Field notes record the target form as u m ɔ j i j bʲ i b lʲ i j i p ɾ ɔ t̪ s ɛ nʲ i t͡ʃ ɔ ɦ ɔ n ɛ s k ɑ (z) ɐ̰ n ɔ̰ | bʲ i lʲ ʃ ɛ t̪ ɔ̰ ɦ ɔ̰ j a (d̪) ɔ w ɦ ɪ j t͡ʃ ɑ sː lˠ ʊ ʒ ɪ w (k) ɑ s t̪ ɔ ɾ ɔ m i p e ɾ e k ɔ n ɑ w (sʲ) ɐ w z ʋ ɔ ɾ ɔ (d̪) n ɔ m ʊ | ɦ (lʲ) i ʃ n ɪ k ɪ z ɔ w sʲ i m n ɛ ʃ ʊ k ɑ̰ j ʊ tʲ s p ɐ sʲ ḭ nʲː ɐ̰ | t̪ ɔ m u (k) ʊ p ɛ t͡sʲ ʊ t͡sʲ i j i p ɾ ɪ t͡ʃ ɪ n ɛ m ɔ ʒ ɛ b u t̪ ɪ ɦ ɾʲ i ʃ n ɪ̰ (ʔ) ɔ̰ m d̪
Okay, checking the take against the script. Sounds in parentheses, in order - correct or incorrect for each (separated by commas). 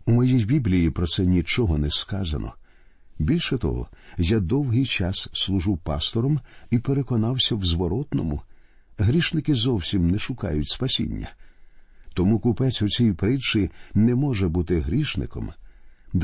correct, correct, incorrect, correct, incorrect, incorrect, correct, incorrect